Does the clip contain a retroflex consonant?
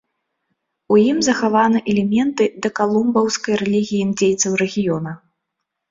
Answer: no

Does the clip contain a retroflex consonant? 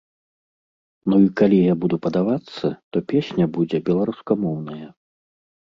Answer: no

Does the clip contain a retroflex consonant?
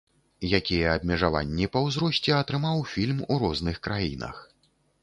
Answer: yes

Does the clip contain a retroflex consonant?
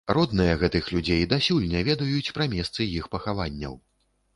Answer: no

